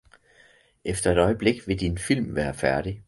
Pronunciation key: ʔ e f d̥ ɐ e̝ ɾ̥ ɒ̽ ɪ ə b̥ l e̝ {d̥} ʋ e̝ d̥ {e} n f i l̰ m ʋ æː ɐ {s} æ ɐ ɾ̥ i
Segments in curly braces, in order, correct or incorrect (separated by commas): incorrect, incorrect, incorrect